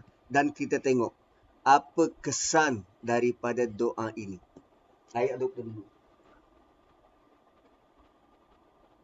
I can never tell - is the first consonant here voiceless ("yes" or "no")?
no